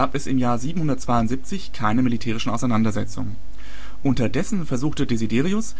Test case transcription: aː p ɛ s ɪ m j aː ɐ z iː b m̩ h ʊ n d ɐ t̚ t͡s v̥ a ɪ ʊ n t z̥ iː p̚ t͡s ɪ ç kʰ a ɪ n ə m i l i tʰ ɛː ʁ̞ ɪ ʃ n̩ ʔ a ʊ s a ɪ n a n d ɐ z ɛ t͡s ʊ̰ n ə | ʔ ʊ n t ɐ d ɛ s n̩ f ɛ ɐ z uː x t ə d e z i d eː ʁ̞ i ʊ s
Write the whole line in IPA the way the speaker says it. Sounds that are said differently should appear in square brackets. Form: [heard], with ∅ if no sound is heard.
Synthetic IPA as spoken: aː p ɛ s ɪ m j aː ɐ z iː b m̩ h ʊ n d ɐ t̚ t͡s v̥ a ɪ ʊ n t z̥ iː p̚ t͡s ɪ ç kʰ a ɪ n ə m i l i tʰ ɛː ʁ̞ ɪ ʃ n̩ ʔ a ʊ s a ɪ n a n d ɐ z ɛ t͡s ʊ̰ [ŋ] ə | ʔ ʊ n t ɐ d ɛ s n̩ f ɛ ɐ z uː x t ə d e z i d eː ʁ̞ i ʊ s